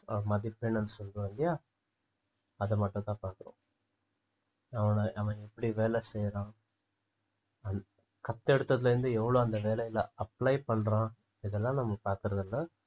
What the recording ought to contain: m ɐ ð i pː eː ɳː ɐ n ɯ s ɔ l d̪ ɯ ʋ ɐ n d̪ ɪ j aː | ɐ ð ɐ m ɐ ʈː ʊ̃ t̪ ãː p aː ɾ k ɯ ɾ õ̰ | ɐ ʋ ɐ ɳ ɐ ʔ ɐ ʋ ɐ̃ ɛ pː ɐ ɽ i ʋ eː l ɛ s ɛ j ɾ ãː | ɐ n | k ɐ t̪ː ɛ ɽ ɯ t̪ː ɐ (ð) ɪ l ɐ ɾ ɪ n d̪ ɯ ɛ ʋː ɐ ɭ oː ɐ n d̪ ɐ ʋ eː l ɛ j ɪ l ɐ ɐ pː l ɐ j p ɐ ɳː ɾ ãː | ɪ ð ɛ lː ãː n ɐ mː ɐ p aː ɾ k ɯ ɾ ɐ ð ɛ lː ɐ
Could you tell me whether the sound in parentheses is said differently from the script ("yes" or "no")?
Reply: no